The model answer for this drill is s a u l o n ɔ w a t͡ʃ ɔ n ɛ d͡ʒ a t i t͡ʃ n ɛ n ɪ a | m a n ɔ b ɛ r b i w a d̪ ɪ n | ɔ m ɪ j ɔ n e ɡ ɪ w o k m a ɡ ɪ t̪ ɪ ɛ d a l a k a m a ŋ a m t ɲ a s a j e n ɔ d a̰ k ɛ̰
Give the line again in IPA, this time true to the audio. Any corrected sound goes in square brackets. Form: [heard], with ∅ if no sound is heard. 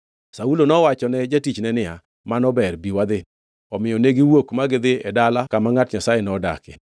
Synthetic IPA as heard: s a u l o n ɔ w a t͡ʃ ɔ n ɛ d͡ʒ a t i t͡ʃ n ɛ n ɪ a | m a n ɔ b ɛ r b i w a d̪ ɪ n | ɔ m ɪ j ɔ n e ɡ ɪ w o k m a ɡ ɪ [d̪] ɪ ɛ d a l a k a m a ŋ a [∅] t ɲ a s a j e n ɔ d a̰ k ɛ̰

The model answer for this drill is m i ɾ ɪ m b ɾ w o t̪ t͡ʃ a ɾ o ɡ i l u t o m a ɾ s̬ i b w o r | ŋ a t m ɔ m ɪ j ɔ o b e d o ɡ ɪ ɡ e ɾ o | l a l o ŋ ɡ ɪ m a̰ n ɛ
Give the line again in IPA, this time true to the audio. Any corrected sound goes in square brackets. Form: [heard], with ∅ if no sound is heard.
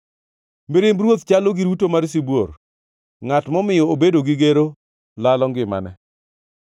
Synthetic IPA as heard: m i ɾ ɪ m b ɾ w o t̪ t͡ʃ a [l] o ɡ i [ɾ] u t o m a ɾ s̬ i b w o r | ŋ a t m ɔ m ɪ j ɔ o b e d o ɡ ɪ ɡ e ɾ o | l a l [ɔ] ŋ ɡ ɪ m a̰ n ɛ

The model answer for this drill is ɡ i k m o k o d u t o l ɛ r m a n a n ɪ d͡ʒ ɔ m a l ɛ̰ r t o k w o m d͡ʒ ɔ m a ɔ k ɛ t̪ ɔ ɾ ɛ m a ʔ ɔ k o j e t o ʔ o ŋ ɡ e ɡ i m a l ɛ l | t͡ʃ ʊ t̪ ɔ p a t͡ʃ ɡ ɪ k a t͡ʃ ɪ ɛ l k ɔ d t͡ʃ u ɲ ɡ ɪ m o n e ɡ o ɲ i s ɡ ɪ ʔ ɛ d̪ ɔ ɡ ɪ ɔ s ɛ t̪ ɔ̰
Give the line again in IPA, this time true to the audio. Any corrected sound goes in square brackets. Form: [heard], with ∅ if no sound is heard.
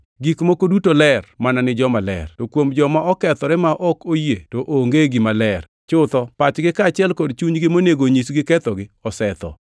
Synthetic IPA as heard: ɡ i k m o k o d u t o l ɛ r m a n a n ɪ d͡ʒ ɔ m a l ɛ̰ r t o k w o m d͡ʒ ɔ m a ɔ k ɛ t̪ ɔ ɾ ɛ m a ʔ ɔ k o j e t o ʔ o ŋ ɡ e ɡ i m a l ɛ [r] | t͡ʃ ʊ t̪ ɔ p a t͡ʃ ɡ ɪ k a t͡ʃ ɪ ɛ l k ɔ d t͡ʃ u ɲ ɡ ɪ m o n e ɡ o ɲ i s ɡ ɪ [k] ɛ [t̪] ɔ ɡ ɪ ɔ s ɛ t̪ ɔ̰

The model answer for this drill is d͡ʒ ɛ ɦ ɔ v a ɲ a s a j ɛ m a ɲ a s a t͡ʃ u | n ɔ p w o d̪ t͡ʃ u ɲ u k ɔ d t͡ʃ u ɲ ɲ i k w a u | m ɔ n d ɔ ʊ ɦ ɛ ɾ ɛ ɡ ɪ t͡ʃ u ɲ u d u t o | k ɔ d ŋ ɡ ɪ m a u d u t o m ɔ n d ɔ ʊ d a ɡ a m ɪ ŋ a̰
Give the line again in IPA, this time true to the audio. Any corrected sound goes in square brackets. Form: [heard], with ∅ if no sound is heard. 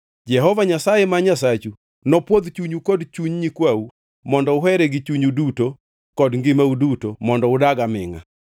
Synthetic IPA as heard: d͡ʒ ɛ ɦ ɔ v a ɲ a s a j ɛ m a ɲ a s a t͡ʃ u | n ɔ p w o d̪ t͡ʃ u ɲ u k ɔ d t͡ʃ u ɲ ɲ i k w a u | m ɔ n d ɔ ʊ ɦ ɛ ɾ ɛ ɡ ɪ t͡ʃ u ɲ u d u t o | k ɔ d ŋ ɡ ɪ m a u d u t o m ɔ n d ɔ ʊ d a ɡ a m ɪ ŋ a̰

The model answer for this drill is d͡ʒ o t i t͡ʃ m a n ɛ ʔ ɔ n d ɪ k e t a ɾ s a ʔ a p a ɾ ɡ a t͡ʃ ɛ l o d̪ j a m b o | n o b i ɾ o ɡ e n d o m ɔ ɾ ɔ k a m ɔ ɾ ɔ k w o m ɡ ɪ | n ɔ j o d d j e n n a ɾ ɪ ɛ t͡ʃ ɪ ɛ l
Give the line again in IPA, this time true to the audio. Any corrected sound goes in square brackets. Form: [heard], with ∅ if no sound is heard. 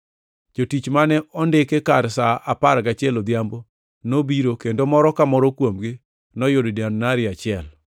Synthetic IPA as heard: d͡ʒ o t i t͡ʃ m a n ɛ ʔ ɔ n d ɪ k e [k] a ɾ s a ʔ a p a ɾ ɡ a t͡ʃ ɛ l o d̪ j a m b o | n o b i ɾ o [k] e n d o m ɔ ɾ ɔ k a m ɔ ɾ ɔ k w o m ɡ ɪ | n ɔ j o d d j [a] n n a ɾ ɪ [a] t͡ʃ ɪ ɛ l

